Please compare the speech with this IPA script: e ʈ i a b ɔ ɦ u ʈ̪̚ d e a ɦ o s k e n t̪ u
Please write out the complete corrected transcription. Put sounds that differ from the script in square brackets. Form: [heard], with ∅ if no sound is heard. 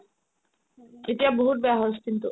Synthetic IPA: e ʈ i a b [o] ɦ u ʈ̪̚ [b] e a ɦ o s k [i] n t̪ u